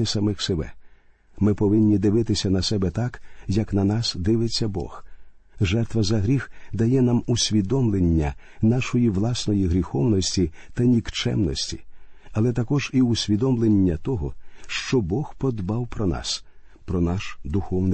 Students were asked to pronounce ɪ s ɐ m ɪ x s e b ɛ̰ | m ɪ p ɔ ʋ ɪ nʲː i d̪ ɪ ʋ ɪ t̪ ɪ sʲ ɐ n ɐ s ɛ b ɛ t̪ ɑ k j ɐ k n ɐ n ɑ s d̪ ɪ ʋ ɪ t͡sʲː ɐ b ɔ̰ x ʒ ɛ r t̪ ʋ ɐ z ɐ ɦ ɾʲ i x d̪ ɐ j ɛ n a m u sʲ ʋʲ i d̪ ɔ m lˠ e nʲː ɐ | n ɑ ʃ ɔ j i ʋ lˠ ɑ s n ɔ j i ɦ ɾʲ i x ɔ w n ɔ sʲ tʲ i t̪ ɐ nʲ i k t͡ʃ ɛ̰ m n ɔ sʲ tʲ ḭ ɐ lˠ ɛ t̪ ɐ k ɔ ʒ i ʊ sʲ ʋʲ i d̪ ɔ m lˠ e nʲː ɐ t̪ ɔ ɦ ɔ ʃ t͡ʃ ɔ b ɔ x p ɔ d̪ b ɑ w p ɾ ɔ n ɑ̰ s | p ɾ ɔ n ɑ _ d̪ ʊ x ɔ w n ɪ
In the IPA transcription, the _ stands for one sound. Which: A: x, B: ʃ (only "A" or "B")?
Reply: B